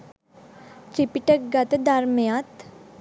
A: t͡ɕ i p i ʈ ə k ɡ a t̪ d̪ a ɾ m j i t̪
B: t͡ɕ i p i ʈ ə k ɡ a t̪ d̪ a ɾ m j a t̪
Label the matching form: B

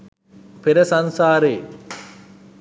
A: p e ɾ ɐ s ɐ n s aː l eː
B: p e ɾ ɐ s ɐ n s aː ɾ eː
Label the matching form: B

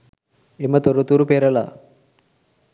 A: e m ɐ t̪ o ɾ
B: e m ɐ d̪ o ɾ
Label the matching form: A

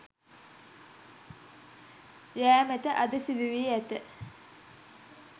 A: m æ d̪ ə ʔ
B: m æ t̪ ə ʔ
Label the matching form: B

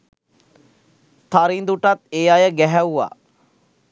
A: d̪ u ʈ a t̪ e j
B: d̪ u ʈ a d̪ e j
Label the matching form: A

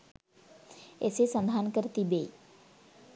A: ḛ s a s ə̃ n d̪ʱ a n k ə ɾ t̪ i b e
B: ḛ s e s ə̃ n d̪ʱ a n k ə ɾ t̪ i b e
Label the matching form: B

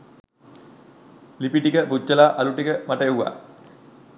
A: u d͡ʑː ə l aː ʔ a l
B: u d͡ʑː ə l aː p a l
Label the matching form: A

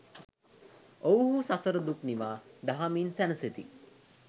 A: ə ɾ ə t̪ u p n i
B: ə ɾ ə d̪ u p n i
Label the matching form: B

